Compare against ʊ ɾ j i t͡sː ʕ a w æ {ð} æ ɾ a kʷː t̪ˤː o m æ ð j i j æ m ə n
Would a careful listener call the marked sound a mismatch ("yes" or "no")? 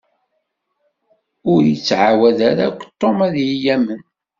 no